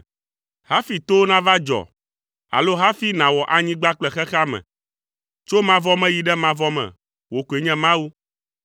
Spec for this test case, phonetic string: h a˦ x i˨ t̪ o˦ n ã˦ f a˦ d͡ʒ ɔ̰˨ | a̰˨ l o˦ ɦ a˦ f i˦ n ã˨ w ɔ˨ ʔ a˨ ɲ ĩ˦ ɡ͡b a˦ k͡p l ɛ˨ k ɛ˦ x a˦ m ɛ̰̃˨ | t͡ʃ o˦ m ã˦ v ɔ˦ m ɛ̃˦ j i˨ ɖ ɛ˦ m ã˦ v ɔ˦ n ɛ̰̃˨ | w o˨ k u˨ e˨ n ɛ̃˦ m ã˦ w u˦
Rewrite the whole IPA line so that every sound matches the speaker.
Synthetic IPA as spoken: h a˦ f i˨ t̪ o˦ n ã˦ v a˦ d͡ʒ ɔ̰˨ | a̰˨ l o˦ ɦ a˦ f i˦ n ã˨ w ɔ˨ ʔ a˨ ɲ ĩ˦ ɡ͡b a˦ k͡p l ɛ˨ x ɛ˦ x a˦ m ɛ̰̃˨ | t͡ʃ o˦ m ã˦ v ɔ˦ m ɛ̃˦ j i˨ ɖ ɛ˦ m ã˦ v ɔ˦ m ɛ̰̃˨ | w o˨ k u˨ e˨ ɲ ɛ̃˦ m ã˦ w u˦